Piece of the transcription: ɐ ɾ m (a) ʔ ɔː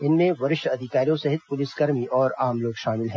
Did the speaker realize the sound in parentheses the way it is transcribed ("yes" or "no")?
no